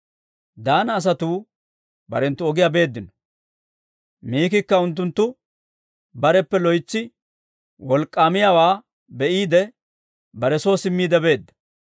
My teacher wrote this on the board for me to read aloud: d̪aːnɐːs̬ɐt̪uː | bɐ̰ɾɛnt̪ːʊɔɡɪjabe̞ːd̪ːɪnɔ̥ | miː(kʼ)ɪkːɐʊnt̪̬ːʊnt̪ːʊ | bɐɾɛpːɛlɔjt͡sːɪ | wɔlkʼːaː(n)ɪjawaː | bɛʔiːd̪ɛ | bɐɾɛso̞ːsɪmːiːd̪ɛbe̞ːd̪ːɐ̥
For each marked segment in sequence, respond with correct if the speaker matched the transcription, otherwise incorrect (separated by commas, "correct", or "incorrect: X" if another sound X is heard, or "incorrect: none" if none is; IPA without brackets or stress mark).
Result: incorrect: k, incorrect: m